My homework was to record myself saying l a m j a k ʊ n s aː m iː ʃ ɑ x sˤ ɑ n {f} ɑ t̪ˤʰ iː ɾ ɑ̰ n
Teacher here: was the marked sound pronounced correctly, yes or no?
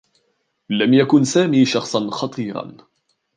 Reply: no